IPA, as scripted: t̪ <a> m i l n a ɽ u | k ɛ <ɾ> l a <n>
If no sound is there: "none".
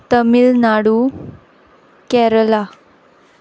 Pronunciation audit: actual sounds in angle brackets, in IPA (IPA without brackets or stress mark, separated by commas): ə, ɾ, none